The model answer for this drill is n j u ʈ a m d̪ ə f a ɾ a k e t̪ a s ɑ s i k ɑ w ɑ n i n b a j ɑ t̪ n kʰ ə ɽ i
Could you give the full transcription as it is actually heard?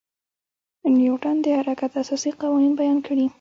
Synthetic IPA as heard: n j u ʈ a n d̪ ə h a ɾ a k a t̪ a s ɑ s i q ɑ w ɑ n i n b a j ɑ n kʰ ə ɽ i